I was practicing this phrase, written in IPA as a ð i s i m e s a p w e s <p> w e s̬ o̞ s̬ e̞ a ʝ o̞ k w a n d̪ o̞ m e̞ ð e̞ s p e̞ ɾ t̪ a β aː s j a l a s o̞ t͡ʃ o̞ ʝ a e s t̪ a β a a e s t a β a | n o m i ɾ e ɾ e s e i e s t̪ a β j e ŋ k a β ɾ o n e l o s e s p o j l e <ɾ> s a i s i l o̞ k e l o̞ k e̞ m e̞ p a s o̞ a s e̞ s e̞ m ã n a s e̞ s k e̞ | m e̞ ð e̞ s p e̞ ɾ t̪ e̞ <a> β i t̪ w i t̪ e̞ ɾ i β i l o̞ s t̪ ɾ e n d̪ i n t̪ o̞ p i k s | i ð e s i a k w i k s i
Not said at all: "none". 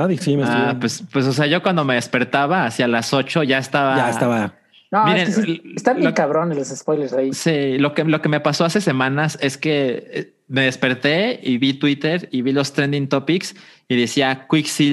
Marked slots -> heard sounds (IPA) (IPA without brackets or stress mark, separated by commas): p, ɾ, i